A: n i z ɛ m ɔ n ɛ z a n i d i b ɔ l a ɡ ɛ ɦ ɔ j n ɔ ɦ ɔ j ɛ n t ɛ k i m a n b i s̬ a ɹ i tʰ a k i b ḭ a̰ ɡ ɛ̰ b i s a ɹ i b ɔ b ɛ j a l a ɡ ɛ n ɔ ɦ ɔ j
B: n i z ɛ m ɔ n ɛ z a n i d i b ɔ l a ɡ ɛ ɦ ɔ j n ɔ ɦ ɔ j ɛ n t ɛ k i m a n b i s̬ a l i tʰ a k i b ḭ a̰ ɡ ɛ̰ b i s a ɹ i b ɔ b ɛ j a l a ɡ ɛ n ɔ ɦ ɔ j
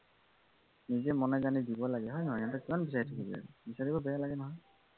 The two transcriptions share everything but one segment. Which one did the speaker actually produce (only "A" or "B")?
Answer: A